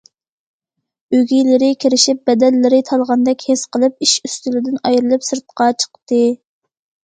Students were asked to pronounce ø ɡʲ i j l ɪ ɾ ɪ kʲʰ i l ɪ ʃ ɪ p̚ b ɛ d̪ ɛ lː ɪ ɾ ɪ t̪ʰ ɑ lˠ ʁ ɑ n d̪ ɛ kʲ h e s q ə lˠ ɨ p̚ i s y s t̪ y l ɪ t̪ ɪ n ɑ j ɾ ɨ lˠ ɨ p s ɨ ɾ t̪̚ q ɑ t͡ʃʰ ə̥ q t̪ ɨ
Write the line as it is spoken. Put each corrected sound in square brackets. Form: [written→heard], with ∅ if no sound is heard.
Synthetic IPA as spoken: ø ɡʲ i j l ɪ ɾ ɪ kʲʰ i [l→ɾ] ɪ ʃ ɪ p̚ b ɛ d̪ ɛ lː ɪ ɾ ɪ t̪ʰ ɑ lˠ ʁ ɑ n d̪ ɛ kʲ h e s q ə lˠ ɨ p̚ i [s→ʃ] y s t̪ y l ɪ [t̪→d̪] ɪ n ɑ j ɾ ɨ lˠ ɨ p s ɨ ɾ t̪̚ q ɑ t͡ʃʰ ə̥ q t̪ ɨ